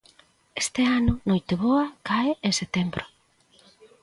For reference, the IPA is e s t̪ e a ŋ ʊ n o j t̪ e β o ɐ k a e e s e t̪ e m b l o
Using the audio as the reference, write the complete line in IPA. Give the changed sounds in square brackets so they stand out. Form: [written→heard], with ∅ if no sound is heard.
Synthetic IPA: e s t̪ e a [ŋ→n] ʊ n o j t̪ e β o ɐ k a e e s e t̪ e m b [l→ɾ] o